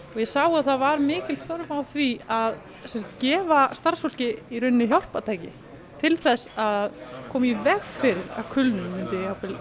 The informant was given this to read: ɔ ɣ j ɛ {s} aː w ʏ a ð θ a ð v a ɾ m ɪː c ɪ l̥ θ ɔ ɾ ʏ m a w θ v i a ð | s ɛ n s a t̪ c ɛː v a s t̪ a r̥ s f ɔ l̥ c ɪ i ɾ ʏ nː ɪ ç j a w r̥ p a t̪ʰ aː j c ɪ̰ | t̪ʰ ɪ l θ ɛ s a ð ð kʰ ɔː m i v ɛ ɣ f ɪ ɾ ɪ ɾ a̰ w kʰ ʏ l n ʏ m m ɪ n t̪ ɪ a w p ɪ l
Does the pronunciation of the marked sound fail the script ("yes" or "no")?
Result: no